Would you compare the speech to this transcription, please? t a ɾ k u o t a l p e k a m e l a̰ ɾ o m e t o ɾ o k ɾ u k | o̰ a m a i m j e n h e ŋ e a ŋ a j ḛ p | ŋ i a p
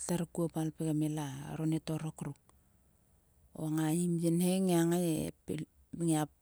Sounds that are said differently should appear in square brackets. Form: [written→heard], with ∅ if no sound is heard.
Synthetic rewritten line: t a ɾ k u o [t→p] a l p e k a m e l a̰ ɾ o [m→n] e t o ɾ o k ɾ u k | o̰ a [m→ŋ] a i m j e n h e ŋ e a ŋ a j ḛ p | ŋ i a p